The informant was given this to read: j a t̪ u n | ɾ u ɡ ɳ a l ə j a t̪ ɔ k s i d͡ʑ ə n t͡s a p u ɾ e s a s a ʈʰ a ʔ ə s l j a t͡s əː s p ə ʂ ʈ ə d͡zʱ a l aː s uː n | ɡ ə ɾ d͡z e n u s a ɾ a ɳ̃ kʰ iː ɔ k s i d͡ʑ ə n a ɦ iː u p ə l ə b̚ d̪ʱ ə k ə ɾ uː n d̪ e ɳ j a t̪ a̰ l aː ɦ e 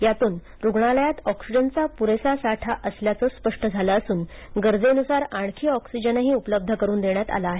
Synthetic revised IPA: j a t̪ uː n | ɾ u ɡ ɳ a l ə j a t̪ ɔ k s i d͡ʑ ə n t͡s a p u ɾ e s a s a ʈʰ a ʔ ə s l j a t͡s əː s p ə ʂ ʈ ə d͡zʱ a l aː s uː n | ɡ ə ɾ d͡z e n u s a ɾ a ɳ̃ kʰ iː ɔ k s i d͡ʑ ə n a ɦ iː u p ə l ə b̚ d̪ʱ ə k ə ɾ uː n d̪ e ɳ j a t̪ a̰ l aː ɦ e